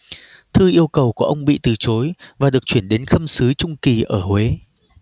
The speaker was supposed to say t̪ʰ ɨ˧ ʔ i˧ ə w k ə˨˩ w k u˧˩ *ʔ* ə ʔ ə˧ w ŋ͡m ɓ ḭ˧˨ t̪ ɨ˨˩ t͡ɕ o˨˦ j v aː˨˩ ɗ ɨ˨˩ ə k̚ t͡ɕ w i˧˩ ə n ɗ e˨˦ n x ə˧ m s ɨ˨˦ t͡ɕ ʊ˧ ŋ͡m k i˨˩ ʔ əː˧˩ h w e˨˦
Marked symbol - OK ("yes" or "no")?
no